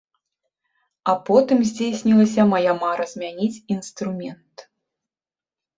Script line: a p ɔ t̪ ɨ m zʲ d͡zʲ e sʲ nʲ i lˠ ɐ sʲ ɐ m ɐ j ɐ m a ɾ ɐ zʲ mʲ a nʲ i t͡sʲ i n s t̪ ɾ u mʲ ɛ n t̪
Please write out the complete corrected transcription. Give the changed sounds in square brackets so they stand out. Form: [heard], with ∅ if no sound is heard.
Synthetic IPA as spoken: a p ɔ t̪ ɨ m zʲ d͡zʲ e sʲ nʲ i lˠ ɐ sʲ ɐ m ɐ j [a] m a ɾ ɐ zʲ mʲ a nʲ i t͡sʲ i n s t̪ ɾ u mʲ ɛ n t̪